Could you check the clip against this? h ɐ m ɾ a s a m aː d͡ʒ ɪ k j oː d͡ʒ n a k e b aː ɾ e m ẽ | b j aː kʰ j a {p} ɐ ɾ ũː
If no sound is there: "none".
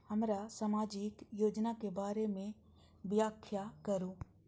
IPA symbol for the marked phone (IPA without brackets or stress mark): k